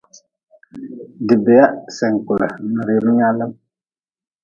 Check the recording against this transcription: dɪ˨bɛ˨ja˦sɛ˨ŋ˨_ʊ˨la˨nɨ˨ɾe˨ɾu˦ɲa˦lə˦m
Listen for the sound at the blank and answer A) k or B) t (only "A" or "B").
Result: A